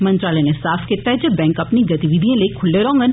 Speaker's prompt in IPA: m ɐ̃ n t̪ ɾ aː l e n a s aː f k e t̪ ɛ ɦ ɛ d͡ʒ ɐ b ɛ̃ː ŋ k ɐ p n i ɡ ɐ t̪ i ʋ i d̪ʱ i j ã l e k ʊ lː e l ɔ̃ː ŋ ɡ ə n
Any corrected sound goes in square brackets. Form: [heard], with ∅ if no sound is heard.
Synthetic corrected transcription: m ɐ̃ n t̪ ɾ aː l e n [e] s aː f k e t̪ [a] ɦ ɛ d͡ʒ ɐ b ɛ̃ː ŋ k ɐ p n i ɡ ɐ t̪ i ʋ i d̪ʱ i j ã l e [kʰ] ʊ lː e [ɾ] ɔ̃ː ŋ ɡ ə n